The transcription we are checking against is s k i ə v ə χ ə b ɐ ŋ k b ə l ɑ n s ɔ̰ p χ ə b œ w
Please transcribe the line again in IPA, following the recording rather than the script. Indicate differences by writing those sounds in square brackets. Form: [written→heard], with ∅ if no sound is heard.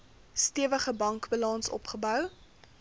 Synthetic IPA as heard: s [k→t] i ə v ə χ ə b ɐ ŋ k b ə l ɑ n s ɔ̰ p χ ə b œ w